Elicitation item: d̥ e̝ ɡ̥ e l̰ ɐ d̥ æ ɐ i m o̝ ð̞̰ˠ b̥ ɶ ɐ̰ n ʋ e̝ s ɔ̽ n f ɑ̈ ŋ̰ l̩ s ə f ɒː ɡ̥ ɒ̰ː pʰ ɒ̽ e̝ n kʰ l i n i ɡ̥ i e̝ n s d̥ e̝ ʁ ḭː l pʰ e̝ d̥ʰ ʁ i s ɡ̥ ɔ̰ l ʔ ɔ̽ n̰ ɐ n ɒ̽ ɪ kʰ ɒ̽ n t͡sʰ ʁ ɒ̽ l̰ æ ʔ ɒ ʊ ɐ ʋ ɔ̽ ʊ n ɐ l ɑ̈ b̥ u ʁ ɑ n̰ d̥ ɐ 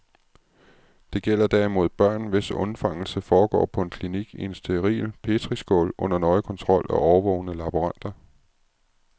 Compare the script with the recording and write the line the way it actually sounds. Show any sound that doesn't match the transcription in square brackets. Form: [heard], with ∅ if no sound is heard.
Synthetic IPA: d̥ e̝ ɡ̥ e l̰ ɐ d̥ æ ɐ i m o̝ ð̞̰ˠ b̥ ɶ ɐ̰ n ʋ e̝ s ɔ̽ n f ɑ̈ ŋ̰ l̩ s ə f ɒː ɡ̥ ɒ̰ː pʰ ɒ̽ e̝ n kʰ l i n i ɡ̥ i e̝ n s d̥ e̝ ʁ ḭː l pʰ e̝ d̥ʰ ʁ i s ɡ̥ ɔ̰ l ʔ ɔ̽ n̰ ɐ n ɒ̽ ɪ kʰ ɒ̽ n t͡sʰ ʁ ɒ̽ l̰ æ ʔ ɒ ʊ ɐ ʋ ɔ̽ ʊ n [ə] l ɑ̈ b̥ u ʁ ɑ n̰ d̥ ɐ